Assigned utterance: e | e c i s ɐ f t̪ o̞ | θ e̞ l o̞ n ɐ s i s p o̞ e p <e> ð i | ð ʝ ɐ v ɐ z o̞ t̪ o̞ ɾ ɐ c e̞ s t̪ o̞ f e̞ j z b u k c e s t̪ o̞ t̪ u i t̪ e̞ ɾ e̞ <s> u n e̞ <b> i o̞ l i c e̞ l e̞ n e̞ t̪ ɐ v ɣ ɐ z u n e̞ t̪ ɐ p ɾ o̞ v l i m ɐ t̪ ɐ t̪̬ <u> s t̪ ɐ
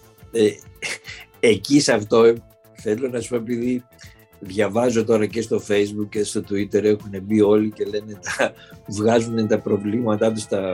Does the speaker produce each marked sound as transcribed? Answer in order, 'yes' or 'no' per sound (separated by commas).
no, no, yes, yes